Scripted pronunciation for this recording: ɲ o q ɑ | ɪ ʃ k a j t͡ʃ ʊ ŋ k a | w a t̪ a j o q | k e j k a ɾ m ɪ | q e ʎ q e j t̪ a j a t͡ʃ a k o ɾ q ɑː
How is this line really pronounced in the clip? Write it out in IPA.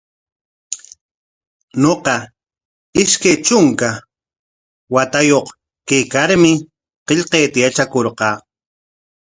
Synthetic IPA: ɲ o q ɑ | ɪ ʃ k a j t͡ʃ ʊ ŋ k a | w a t̪ a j o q | k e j k a ɾ m ɪ | q e ʎ q e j t̪ a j a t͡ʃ a k o ɾ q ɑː

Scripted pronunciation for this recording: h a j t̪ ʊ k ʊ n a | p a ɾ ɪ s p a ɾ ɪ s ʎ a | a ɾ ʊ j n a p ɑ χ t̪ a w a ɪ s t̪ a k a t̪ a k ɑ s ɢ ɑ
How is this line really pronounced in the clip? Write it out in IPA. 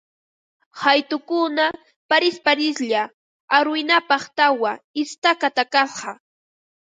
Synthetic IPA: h a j t̪ ʊ k ʊ n a | p a ɾ ɪ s p a ɾ ɪ s ʎ a | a ɾ ʊ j n a p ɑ χ t̪ a w a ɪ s t̪ a k a t̪ a k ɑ s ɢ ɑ

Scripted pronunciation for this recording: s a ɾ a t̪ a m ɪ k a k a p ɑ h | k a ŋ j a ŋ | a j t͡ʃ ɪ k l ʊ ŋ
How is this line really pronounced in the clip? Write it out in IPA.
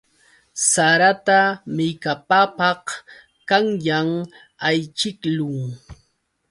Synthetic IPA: s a ɾ a t̪ a m ɪ k a p a p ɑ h | k a ŋ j a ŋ | a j t͡ʃ ɪ k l ʊ ŋ

